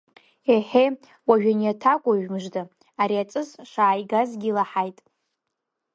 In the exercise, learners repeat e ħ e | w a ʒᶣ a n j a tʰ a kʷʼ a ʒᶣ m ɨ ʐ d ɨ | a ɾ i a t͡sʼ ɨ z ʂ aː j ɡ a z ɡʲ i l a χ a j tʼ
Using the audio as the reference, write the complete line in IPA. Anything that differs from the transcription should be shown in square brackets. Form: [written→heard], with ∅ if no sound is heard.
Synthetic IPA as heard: e ħ e | w a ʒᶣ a n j a tʰ a kʷʼ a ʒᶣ m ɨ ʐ d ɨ | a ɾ i a t͡sʼ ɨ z ʂ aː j ɡ a z ɡʲ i l a [χ→ħ] a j tʼ